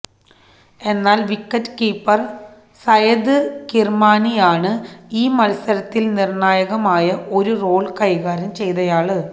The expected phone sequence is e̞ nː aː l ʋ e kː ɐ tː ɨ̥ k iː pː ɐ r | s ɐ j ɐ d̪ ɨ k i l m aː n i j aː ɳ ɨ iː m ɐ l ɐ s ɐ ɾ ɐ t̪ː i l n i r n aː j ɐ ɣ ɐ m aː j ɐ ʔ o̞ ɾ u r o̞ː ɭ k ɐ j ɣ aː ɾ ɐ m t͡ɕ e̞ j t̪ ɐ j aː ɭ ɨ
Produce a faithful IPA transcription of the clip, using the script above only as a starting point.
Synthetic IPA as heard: e̞ nː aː l ʋ i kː ɐ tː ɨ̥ k iː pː ɐ r | s ɐ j ɐ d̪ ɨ k i r m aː n i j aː ɳ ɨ iː m ɐ l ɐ s ɐ ɾ ɐ t̪ː i l n i r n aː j ɐ ɣ ɐ m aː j ɐ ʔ o̞ ɾ u r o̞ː ɭ k ɐ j ɣ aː ɾ ɐ m t͡ɕ e̞ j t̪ ɐ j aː ɭ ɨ